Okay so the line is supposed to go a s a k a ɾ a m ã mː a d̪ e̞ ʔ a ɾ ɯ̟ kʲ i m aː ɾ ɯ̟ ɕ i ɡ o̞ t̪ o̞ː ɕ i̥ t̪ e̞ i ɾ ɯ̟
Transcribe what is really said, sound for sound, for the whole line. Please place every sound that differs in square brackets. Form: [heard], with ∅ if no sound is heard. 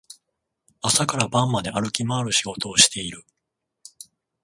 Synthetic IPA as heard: a s a k a ɾ a [b] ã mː a d̪ e̞ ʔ a ɾ ɯ̟ kʲ i m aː ɾ ɯ̟ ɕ i ɡ o̞ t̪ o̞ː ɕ i̥ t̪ e̞ i ɾ ɯ̟

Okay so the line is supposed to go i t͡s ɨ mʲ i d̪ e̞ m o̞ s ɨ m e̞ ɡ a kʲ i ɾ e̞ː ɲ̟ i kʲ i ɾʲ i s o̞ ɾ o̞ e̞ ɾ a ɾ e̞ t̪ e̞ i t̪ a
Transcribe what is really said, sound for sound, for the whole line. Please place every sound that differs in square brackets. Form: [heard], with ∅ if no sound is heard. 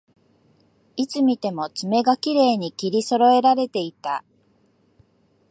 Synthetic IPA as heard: i t͡s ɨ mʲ i [t̪] e̞ m o̞ [t͡s] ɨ m e̞ ɡ a kʲ i ɾ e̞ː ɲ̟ i kʲ i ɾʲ i s o̞ ɾ o̞ e̞ ɾ a ɾ e̞ t̪ e̞ i t̪ a

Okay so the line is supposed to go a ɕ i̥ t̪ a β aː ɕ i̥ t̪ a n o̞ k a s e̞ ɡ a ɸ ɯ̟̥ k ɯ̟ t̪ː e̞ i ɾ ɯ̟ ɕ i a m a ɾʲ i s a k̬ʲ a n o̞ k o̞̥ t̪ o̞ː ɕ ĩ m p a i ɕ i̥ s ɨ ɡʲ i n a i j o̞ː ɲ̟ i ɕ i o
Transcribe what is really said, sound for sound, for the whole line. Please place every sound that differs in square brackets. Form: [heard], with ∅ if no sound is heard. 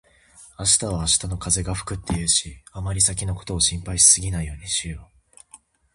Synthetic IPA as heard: a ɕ i̥ t̪ a β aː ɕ i̥ t̪ a n o̞ k a [z] e̞ ɡ a ɸ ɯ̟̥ k ɯ̟ t̪ː e̞ i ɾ ɯ̟ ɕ i a m a ɾʲ i s a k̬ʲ [i] n o̞ k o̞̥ t̪ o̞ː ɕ ĩ m p a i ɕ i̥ s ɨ ɡʲ i n a i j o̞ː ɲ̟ i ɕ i o

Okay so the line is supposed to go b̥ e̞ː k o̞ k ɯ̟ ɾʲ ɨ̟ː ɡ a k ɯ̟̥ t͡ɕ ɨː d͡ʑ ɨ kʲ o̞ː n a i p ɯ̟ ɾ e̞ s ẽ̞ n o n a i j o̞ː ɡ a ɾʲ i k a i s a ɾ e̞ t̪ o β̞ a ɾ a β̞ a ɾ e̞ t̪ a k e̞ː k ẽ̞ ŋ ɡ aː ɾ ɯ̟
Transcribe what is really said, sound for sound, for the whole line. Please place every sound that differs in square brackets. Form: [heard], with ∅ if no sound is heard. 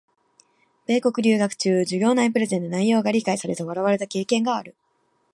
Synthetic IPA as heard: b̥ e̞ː k o̞ k ɯ̟ ɾʲ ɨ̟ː ɡ a k ɯ̟̥ t͡ɕ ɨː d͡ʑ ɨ [ɡʲ] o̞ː n a i p ɯ̟ ɾ e̞ [z] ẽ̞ n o n a i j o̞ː ɡ a ɾʲ i k a i s a ɾ e̞ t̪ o β̞ a ɾ a β̞ a ɾ e̞ t̪ a k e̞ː k ẽ̞ ŋ ɡ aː ɾ ɯ̟

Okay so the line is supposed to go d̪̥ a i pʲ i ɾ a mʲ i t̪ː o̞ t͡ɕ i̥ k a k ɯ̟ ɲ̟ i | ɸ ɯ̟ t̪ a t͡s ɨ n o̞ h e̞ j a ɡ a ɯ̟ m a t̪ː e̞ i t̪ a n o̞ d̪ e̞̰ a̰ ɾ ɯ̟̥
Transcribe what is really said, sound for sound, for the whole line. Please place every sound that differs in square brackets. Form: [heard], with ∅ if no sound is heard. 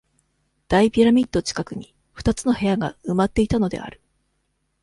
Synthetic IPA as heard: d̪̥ a i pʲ i ɾ a mʲ i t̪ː o̞ t͡ɕ i̥ k a k ɯ̟ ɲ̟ i | ɸ ɯ̟ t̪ a t͡s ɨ n o̞ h e̞ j a ɡ a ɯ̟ m a t̪ː e̞ i t̪ a n o̞ d̪ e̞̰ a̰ ɾ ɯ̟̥

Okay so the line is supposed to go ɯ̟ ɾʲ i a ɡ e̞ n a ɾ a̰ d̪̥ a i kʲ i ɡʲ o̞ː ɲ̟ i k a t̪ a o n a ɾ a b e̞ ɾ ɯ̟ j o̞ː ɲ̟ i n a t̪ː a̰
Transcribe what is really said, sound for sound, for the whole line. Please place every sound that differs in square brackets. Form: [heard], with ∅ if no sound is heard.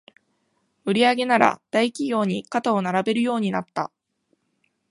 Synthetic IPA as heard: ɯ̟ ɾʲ i a ɡ e̞ n a ɾ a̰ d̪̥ a i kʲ i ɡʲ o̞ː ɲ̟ i k a t̪ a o n a ɾ a b e̞ ɾ ɯ̟ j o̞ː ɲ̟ i n a t̪ː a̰

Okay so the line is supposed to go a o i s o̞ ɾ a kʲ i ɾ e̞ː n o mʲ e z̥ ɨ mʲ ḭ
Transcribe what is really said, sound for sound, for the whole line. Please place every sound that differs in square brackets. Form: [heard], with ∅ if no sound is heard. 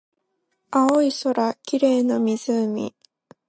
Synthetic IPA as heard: a o i s o̞ ɾ a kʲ i ɾ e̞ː n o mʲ [i] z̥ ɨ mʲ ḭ

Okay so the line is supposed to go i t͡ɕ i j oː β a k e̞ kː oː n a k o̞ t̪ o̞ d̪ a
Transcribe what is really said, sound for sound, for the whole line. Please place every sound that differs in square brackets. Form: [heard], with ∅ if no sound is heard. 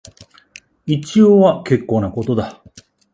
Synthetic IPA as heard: i t͡ɕ i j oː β a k e̞ kː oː n a k o̞ t̪ o̞ d̪ a

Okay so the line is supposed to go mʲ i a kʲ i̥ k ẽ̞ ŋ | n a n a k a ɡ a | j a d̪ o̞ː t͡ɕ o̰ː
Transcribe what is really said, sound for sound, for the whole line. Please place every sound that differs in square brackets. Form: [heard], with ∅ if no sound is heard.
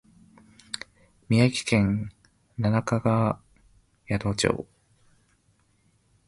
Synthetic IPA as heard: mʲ i a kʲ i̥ k ẽ̞ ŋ | n a n a k a ɡ a | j a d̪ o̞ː t͡ɕ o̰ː

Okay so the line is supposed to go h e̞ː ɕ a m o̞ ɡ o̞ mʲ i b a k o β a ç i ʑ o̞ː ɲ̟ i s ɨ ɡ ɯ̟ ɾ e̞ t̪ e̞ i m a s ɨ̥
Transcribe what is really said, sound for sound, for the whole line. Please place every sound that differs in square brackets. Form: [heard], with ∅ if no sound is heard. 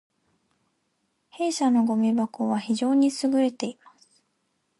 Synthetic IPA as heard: h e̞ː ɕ a [n] o̞ ɡ o̞ mʲ i b a k o β a ç i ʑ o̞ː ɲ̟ i s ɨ ɡ ɯ̟ ɾ e̞ t̪ e̞ i m a s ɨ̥

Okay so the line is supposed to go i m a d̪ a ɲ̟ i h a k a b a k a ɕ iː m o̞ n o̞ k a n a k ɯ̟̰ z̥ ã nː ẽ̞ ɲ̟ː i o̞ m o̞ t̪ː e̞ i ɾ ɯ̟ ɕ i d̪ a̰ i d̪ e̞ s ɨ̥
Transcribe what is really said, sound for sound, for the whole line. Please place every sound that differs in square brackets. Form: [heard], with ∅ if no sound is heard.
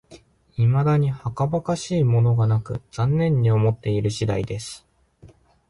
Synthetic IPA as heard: i m a d̪ a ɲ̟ i h a k a b a k a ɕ iː m o̞ n o̞ [ɡ] a n a k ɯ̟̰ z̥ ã nː ẽ̞ ɲ̟ː i o̞ m o̞ t̪ː e̞ i ɾ ɯ̟ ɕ i d̪ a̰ i d̪ e̞ s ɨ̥

